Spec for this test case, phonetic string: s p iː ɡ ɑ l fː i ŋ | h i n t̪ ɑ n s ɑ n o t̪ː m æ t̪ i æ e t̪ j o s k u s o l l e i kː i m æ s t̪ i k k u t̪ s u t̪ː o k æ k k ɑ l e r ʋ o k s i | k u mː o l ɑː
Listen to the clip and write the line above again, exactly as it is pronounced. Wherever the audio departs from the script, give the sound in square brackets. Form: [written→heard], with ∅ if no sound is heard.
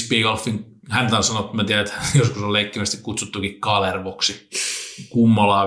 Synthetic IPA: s p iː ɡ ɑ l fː i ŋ | h [i→æ] n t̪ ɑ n s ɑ n o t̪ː m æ t̪ i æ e t̪ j o s k u s o l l e i kː i m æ s t̪ i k k u t̪ s u t̪ː [o→u] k [æ→i] k k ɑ l e r ʋ o k s i | k u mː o l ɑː